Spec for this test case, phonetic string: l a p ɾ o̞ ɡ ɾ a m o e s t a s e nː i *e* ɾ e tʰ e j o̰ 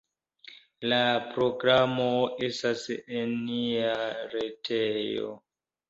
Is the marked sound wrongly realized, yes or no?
yes